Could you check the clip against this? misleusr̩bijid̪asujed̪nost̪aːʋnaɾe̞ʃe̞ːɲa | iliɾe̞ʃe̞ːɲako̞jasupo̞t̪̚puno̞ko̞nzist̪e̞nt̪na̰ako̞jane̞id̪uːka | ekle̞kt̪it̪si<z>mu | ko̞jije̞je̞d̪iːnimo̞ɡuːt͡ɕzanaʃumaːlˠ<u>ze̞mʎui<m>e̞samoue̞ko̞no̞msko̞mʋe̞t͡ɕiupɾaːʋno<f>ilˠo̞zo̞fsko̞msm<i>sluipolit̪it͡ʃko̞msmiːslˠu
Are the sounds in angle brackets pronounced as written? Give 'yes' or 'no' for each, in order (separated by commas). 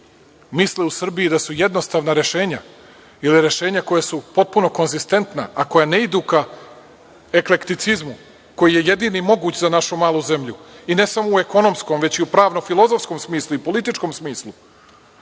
yes, yes, no, yes, no